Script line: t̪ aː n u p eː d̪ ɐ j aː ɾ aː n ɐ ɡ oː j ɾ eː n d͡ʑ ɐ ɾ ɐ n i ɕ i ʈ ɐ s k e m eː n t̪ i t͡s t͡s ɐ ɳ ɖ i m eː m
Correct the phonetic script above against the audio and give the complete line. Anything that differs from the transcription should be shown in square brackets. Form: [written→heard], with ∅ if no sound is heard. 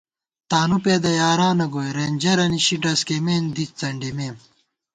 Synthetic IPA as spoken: t̪ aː n u p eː d̪ ɐ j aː ɾ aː n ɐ ɡ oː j ɾ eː n d͡ʑ ɐ ɾ ɐ n i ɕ i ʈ ɐ s k e m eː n [t̪→d̪] i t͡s t͡s ɐ ɳ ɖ i m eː m

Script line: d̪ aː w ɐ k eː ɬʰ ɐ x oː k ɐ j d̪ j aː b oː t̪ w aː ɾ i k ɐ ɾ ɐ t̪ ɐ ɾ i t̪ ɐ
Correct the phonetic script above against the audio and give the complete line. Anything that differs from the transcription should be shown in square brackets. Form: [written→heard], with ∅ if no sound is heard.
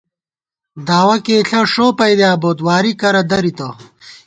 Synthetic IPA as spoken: d̪ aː w ɐ k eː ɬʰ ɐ [x→ʂ] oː [k→p] ɐ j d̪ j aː b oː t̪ w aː ɾ i k ɐ ɾ ɐ [t̪→d̪] ɐ ɾ i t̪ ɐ

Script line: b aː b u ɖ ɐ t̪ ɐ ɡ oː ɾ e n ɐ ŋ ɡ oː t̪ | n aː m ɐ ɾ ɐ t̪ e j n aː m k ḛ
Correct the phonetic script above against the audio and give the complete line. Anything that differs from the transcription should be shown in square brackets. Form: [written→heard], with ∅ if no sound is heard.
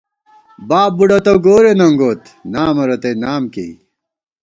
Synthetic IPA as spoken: b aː b u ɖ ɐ t̪ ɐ ɡ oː ɾ e n ɐ ŋ ɡ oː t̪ | n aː m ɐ ɾ ɐ t̪ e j n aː m k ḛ

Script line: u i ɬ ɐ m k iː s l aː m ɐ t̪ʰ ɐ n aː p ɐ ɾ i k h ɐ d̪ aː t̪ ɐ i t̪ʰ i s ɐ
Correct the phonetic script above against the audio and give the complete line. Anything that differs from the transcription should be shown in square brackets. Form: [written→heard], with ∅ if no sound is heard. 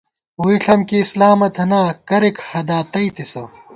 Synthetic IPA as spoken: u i ɬ ɐ m k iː s l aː m ɐ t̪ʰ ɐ n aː [p→k] ɐ ɾ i k h ɐ d̪ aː t̪ ɐ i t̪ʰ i s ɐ

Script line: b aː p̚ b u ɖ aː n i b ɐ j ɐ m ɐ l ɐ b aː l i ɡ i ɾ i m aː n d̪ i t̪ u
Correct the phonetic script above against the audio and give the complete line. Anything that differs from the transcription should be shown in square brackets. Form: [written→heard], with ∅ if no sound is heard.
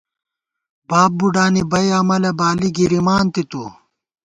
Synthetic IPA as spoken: b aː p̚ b u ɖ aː n i b ɐ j ɐ m ɐ l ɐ b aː l i ɡ i ɾ i m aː n [d̪→t̪] i t̪ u

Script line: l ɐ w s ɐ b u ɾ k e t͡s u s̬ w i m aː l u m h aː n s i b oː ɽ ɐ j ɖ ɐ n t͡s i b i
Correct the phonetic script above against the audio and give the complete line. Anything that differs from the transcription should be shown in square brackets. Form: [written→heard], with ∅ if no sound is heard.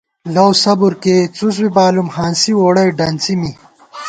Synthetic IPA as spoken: l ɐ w s ɐ b u ɾ k e t͡s u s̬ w i [m→b] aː l u m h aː n s i [b→w] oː ɽ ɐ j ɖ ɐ n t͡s i [b→m] i

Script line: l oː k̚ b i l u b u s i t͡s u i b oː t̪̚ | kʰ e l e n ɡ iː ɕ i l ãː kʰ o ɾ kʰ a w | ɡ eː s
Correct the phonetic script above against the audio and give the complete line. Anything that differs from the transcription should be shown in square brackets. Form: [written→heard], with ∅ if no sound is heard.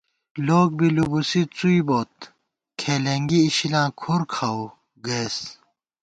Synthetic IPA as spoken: l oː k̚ b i l u b u s i t͡s u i b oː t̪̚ | kʰ e l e [n→ŋ] ɡ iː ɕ i l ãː kʰ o ɾ kʰ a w | ɡ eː s

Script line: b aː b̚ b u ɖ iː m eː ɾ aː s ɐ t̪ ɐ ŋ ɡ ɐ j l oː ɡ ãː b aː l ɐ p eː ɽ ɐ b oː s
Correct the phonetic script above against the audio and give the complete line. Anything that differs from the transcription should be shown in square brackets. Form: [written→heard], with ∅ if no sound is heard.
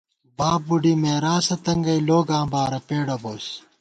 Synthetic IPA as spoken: b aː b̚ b u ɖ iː m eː ɾ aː s ɐ t̪ ɐ ŋ ɡ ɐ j l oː ɡ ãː b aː [l→ɾ] ɐ p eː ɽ ɐ b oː s

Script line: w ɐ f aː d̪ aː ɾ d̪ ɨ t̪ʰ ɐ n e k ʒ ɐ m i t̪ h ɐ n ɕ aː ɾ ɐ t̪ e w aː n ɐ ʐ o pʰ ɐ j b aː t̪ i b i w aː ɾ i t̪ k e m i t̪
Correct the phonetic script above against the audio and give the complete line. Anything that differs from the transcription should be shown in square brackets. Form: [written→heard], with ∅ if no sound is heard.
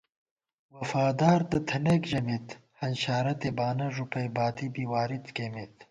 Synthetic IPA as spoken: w ɐ f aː d̪ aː ɾ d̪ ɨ t̪ʰ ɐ n e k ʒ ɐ m i t̪ h ɐ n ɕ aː ɾ ɐ t̪ e [w→b] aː n ɐ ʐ [o→u] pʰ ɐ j b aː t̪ i b i w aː ɾ i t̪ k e m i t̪

